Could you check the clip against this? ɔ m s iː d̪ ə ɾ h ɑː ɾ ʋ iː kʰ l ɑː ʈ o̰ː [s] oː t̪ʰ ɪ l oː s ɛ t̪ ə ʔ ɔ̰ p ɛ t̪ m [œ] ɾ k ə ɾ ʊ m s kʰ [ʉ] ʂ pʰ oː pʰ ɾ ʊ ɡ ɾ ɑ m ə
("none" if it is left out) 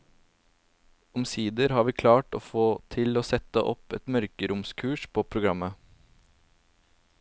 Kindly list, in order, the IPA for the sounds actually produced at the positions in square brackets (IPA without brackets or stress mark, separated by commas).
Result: f, œ, ʉː